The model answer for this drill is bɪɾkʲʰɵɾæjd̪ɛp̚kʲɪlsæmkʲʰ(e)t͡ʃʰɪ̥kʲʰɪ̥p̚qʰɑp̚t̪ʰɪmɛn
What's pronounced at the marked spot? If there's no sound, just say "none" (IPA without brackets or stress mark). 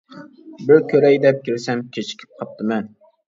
e